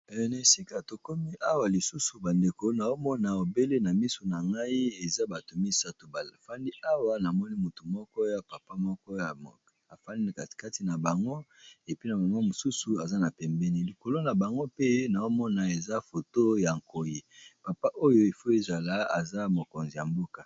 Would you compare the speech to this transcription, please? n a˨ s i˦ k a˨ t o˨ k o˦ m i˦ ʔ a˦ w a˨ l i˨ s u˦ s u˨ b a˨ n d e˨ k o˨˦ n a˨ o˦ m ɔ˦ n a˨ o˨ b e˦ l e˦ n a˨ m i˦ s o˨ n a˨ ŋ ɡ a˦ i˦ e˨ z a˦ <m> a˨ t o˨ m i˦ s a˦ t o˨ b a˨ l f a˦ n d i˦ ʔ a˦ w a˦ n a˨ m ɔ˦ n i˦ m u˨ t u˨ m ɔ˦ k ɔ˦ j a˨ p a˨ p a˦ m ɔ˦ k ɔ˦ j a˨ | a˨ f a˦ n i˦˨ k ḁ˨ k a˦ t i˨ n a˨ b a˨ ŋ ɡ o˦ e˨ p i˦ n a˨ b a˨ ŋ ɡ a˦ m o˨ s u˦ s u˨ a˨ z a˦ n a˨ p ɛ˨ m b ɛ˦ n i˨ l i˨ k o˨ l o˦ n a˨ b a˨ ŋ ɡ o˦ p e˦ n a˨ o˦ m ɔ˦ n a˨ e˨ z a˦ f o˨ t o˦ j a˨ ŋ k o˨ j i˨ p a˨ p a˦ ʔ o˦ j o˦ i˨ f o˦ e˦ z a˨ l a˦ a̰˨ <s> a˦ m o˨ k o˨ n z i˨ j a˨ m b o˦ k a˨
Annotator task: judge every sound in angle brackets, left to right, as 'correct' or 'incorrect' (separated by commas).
incorrect, incorrect